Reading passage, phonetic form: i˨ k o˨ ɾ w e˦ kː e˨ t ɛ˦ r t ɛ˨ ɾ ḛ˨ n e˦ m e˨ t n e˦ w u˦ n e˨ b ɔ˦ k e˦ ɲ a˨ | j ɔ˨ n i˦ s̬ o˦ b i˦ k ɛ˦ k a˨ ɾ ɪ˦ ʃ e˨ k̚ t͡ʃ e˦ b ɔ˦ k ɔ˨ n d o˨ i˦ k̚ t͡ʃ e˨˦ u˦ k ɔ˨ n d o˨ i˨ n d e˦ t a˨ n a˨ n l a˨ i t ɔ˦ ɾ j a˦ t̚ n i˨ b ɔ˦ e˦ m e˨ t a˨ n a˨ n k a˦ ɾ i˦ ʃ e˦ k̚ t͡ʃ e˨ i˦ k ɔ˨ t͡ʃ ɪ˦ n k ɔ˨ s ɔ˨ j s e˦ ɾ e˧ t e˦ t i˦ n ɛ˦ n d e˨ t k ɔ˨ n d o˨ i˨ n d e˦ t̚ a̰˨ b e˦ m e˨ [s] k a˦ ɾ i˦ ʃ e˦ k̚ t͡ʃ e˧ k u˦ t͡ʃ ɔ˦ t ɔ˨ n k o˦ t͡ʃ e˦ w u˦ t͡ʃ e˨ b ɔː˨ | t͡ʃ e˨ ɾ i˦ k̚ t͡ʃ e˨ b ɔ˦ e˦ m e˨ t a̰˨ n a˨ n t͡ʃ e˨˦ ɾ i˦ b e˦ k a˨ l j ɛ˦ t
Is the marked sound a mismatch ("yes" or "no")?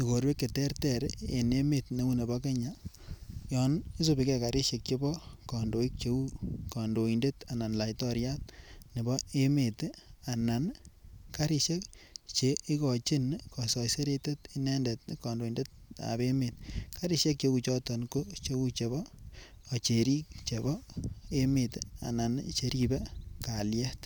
yes